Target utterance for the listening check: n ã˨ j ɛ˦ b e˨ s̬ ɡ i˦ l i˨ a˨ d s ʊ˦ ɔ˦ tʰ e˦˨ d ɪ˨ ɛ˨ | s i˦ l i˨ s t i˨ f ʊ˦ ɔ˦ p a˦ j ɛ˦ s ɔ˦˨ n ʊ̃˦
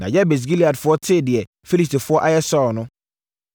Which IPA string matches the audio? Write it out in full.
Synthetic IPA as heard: n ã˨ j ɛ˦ b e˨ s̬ ɡ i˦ l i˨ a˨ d f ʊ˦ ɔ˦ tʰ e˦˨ d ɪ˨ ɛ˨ | f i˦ l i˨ s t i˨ f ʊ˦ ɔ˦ ʔ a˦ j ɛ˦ s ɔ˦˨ n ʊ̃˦